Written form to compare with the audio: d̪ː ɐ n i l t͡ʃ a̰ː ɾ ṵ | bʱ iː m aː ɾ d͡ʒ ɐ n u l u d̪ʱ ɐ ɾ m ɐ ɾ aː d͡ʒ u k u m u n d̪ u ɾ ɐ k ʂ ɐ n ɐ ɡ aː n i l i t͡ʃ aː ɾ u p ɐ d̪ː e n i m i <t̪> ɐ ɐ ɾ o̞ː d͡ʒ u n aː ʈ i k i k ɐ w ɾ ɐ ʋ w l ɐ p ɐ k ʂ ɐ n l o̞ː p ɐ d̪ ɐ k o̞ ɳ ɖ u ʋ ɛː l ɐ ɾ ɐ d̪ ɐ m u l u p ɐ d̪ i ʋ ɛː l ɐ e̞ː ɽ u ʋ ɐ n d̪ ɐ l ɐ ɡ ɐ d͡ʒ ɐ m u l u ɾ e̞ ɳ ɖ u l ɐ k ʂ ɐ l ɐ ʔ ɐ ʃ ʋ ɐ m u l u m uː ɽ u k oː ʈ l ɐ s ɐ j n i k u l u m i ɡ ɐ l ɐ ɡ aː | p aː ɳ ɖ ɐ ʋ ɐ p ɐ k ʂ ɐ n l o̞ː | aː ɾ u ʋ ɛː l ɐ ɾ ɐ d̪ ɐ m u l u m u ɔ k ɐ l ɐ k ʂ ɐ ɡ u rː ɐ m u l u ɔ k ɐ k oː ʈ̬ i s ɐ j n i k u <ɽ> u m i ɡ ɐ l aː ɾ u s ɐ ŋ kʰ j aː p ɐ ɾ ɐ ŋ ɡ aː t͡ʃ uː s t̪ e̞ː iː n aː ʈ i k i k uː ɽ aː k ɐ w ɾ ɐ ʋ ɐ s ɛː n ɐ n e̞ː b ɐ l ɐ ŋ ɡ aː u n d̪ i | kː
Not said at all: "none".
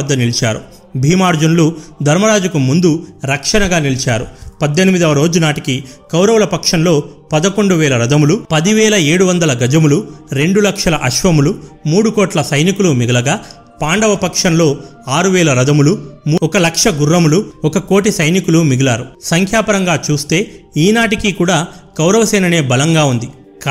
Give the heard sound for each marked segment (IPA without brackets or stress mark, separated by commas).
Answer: d̪, l